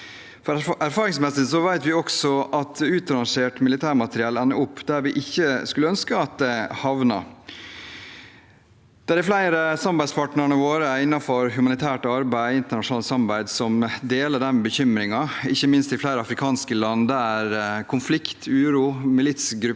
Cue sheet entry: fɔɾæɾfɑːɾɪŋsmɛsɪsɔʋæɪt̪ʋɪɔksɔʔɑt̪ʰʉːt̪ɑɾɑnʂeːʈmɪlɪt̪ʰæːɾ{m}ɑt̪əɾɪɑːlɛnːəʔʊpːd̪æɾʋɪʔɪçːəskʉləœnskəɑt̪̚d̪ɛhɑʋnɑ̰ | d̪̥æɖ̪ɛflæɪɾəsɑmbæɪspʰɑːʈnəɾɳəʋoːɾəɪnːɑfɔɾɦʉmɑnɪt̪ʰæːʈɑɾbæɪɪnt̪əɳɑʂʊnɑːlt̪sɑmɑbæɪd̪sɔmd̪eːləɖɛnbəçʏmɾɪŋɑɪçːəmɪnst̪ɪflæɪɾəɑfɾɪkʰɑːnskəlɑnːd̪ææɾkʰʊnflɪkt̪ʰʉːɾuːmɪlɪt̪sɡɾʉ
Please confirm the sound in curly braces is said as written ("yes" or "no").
yes